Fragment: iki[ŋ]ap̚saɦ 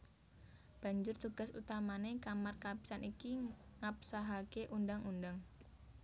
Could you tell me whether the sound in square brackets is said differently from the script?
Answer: no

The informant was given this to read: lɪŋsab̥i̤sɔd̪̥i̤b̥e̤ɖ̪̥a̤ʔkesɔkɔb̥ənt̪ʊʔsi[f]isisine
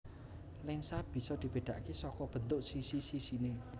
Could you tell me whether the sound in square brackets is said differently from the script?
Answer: yes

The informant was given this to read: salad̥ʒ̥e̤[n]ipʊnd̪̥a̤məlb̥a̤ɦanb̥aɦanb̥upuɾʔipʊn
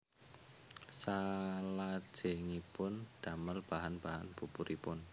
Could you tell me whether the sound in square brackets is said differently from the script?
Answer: yes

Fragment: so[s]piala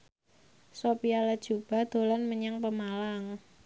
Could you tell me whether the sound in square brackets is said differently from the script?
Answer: yes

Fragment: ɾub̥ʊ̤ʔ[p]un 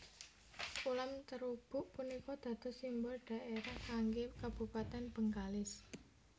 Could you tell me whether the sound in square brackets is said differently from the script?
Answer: no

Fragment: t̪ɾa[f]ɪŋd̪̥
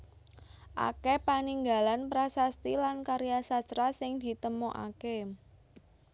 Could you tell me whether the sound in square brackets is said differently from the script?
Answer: yes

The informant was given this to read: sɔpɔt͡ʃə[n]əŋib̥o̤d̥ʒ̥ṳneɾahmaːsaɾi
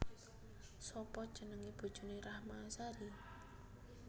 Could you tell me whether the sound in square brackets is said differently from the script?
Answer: no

